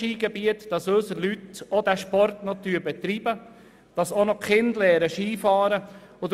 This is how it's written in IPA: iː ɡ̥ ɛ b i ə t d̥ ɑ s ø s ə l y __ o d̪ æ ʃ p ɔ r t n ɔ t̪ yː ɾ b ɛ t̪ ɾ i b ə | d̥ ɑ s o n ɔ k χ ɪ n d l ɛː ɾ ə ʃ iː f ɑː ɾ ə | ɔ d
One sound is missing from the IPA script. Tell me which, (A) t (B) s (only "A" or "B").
A